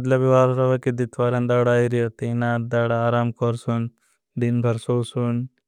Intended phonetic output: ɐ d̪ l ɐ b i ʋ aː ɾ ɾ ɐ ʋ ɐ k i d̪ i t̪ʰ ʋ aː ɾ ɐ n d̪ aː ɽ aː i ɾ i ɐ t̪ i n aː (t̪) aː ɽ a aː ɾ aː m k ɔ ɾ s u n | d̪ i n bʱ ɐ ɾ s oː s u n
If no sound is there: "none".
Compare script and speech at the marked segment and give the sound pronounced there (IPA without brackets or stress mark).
d̪